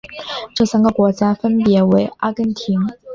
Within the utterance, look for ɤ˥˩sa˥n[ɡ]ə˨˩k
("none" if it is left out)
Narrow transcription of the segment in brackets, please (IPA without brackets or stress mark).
ɡ